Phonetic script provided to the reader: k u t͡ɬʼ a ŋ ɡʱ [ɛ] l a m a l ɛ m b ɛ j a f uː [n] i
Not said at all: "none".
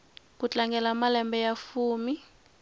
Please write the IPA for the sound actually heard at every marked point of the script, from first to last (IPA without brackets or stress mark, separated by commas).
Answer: ɛ, m